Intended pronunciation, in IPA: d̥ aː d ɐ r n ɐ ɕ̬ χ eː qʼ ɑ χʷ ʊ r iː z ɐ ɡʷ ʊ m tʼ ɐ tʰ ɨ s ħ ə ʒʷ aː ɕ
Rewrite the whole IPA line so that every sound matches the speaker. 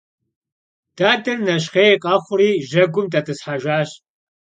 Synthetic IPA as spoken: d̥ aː d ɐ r n ɐ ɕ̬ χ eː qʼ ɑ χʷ ʊ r iː ʒ ɐ ɡʷ ʊ m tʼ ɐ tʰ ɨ s ħ a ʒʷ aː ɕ